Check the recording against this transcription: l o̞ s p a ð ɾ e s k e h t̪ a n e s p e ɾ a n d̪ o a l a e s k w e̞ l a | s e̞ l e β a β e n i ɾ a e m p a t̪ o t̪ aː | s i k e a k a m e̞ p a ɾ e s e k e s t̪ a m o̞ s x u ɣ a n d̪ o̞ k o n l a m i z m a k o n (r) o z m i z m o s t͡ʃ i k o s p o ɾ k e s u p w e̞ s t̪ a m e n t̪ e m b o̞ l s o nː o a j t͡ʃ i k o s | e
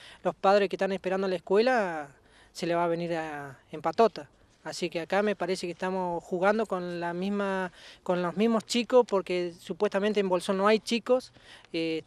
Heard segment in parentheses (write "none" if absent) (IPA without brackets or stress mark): l